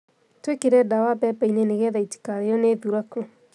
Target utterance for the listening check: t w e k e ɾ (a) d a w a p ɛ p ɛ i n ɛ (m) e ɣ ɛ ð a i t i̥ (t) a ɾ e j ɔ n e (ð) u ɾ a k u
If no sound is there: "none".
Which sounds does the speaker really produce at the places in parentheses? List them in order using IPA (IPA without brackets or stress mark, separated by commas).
ɛ, n, k, ð